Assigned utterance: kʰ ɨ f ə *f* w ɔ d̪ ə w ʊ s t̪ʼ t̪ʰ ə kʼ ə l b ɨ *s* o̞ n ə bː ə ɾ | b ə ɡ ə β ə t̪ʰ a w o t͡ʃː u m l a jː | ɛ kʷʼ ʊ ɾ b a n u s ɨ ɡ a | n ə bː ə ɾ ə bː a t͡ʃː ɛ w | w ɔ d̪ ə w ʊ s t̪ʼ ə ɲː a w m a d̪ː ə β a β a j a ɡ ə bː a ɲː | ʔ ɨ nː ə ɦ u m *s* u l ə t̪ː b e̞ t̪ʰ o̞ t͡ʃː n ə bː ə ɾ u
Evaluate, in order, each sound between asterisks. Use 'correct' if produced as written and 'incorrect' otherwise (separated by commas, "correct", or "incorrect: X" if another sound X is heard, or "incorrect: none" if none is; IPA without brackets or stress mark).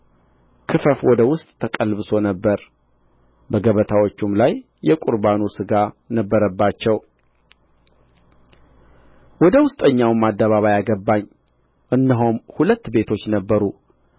correct, correct, incorrect: h